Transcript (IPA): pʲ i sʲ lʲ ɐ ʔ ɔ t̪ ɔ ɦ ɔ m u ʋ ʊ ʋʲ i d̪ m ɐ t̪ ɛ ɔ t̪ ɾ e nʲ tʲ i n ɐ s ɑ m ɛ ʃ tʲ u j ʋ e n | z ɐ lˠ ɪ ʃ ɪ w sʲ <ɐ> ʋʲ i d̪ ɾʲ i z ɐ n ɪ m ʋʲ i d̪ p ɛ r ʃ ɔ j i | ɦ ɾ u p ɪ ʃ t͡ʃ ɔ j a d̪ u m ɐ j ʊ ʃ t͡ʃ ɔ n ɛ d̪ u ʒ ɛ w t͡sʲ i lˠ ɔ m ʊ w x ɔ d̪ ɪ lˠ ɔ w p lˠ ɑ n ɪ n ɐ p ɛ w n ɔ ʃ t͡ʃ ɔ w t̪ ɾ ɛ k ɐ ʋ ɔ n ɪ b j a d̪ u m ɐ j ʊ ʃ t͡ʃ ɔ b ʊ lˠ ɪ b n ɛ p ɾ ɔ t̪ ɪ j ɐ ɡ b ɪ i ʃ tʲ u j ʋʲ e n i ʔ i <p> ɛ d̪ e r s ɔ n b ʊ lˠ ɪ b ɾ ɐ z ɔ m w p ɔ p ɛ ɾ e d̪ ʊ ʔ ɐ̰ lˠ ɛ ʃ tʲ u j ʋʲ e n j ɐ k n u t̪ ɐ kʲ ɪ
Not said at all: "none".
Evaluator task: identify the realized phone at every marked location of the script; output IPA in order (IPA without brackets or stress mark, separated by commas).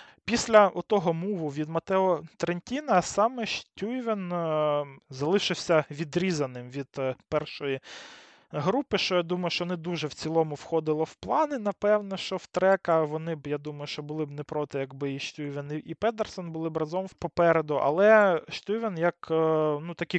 ɐ, p